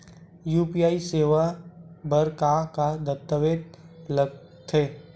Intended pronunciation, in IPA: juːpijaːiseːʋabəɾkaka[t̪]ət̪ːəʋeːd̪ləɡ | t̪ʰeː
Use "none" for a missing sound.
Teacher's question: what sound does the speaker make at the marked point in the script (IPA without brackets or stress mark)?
d̪